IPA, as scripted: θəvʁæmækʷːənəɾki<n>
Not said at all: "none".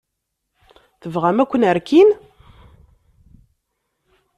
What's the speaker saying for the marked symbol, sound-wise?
n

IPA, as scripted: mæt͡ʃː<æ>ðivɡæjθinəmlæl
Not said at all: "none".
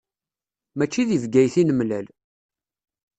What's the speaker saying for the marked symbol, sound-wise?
i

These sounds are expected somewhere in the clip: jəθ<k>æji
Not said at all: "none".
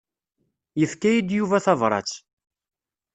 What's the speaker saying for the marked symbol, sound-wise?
k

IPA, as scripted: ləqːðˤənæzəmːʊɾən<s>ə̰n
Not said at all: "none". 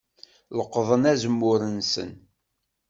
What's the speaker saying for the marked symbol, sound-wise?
s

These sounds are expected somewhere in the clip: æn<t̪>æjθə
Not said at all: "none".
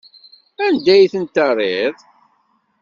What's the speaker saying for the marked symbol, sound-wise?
d̪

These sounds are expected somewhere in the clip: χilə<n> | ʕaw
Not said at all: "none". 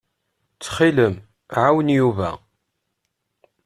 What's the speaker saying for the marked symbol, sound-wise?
m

